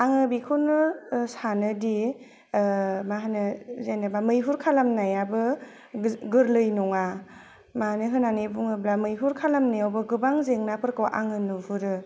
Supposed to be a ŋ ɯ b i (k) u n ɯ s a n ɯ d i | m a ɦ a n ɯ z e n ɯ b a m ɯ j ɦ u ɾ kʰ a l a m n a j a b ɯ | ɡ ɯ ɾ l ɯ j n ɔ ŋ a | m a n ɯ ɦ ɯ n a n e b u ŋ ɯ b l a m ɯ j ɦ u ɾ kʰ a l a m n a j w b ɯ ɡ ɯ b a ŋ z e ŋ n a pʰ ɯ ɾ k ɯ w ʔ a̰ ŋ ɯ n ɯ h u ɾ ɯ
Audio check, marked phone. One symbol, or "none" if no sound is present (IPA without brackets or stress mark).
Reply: kʰ